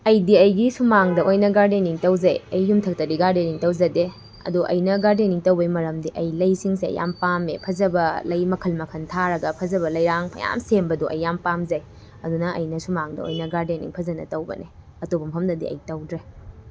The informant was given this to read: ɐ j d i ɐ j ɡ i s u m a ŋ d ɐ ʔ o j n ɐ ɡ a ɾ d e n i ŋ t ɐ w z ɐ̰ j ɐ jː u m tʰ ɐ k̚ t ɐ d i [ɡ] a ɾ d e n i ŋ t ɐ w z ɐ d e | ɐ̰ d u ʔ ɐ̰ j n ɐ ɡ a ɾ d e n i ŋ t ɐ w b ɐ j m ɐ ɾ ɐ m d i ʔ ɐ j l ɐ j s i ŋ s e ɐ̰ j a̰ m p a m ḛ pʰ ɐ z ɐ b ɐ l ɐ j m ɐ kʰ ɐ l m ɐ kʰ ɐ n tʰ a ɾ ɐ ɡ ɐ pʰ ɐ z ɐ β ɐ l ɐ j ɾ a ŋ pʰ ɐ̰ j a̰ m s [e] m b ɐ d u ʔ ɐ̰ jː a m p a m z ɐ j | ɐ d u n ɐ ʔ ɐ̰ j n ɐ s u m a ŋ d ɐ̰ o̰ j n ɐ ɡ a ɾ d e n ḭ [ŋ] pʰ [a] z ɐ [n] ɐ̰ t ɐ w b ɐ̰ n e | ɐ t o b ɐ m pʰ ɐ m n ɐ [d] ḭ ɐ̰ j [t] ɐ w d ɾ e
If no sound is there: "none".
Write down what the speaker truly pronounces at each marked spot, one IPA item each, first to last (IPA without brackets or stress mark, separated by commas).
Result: ɡ, e, ŋ, ɐ, n, d, t